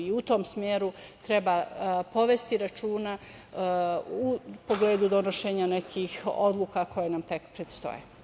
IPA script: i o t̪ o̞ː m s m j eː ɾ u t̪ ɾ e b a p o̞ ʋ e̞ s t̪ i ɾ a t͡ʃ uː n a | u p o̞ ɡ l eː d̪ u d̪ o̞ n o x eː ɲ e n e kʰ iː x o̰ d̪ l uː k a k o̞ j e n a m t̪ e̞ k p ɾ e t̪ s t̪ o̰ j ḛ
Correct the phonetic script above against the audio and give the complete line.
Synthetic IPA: i u t̪ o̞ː m s m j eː ɾ u t̪ ɾ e b a p o̞ ʋ e̞ s t̪ i ɾ a t͡ʃ uː n a | u p o̞ ɡ l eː d̪ u d̪ o̞ n o ʃ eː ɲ a n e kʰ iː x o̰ d̪ l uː k a k o̞ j e n a m t̪ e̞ k p ɾ e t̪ s t̪ o̰ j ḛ